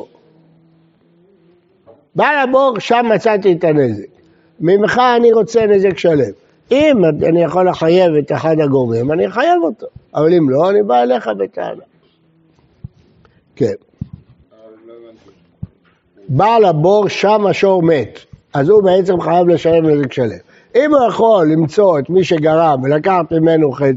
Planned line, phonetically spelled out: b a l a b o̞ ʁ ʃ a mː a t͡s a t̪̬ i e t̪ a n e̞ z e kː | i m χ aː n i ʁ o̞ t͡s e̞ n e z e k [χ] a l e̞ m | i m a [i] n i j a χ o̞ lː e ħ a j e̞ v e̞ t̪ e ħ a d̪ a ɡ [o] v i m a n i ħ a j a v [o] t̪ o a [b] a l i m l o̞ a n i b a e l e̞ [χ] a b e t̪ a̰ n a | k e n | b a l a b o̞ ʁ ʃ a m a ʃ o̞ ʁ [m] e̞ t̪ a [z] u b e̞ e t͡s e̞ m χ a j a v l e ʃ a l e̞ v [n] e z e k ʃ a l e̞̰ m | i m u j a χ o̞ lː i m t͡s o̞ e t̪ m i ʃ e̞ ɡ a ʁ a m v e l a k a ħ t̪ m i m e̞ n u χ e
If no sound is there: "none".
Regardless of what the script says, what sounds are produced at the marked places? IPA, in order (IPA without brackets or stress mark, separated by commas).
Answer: ʃ, a, o, o, v, χ, m, z, n